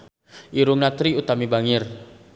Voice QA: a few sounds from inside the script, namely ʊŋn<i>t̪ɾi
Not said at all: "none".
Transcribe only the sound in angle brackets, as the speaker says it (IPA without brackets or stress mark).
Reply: a